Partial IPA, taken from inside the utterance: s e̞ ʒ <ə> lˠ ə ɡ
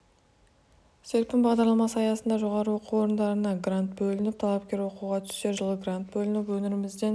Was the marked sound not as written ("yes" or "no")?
no